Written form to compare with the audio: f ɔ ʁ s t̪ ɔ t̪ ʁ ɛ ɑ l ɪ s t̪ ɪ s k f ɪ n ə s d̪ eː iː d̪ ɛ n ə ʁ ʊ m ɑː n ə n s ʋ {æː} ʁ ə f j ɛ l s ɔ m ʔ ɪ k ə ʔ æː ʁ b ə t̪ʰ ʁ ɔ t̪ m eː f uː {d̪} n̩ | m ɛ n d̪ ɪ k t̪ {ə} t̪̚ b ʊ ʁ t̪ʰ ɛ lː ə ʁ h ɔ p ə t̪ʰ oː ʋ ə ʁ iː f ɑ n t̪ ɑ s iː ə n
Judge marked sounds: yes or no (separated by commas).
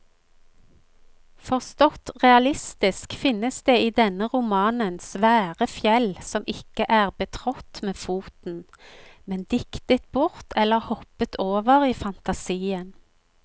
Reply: yes, no, yes